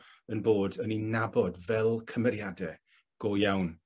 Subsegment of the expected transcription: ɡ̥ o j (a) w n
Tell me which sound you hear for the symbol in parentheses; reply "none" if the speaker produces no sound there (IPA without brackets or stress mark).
a